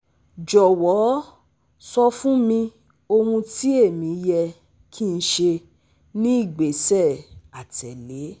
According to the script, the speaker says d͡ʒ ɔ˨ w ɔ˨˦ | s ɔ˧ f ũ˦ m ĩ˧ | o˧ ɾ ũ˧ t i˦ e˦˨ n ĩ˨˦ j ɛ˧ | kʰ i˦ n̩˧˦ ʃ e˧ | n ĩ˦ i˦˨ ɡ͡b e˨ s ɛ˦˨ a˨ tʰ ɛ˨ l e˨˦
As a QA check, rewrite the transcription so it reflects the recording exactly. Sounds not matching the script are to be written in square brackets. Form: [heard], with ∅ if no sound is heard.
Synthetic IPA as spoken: d͡ʒ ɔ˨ w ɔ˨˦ | s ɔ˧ f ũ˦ m ĩ˧ | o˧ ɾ ũ˧ t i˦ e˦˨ [m] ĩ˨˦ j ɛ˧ | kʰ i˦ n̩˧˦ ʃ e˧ | n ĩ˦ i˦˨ ɡ͡b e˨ s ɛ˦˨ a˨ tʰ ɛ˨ l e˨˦